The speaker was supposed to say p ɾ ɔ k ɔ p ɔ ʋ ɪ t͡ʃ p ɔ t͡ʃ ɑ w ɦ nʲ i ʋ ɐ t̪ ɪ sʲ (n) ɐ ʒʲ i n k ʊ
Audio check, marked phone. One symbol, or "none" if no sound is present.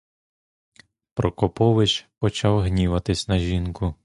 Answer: n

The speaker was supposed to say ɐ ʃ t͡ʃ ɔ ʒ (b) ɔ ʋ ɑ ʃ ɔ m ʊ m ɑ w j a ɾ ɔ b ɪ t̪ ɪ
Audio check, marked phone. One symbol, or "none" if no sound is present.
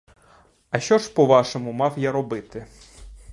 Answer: p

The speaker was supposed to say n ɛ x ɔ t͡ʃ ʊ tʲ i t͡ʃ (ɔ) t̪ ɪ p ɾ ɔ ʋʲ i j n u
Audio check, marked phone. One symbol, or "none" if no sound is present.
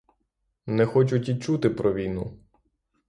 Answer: u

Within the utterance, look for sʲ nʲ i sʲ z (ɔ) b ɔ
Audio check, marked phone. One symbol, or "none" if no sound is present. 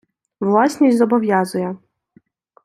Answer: ɔ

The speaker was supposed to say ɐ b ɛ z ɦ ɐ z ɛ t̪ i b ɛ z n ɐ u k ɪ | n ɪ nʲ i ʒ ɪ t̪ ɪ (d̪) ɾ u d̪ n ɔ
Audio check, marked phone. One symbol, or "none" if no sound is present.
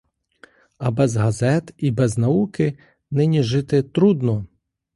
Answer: t̪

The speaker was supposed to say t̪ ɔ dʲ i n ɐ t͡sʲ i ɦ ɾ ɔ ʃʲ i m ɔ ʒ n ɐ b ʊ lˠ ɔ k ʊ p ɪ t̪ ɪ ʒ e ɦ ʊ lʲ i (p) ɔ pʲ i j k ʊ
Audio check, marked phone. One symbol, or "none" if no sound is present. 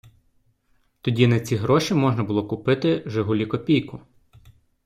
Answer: k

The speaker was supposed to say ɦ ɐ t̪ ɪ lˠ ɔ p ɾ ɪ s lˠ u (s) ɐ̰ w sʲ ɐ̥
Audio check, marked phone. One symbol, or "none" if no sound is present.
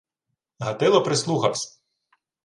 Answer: x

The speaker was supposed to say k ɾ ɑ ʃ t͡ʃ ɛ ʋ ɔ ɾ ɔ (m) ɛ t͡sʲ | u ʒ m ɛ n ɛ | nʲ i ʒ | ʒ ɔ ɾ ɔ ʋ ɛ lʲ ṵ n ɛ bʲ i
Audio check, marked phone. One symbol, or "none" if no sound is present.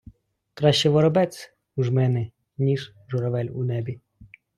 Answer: b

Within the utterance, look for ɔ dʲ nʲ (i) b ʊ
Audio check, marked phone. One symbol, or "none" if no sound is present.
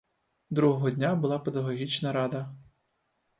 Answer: a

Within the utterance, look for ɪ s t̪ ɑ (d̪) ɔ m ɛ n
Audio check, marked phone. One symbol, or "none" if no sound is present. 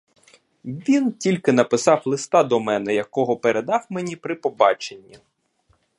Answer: d̪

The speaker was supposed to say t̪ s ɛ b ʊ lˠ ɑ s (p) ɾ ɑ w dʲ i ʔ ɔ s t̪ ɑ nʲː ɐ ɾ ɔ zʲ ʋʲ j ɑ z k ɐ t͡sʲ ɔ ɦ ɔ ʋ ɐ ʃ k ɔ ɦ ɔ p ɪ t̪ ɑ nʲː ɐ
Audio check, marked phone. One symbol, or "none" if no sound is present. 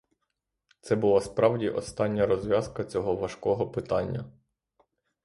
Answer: p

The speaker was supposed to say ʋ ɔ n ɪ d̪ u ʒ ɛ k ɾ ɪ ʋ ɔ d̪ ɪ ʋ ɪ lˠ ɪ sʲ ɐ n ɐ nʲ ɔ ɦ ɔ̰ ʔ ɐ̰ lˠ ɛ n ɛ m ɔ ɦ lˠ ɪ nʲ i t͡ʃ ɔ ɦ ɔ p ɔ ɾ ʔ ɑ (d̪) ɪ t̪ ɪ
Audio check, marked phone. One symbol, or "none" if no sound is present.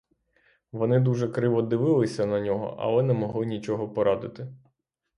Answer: d̪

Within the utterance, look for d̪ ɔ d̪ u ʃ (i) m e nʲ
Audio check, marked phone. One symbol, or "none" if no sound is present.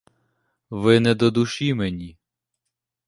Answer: i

